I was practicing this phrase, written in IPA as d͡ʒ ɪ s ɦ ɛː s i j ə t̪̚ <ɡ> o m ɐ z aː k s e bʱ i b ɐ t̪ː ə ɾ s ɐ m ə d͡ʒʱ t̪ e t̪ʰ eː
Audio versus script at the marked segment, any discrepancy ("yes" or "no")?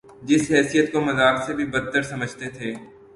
yes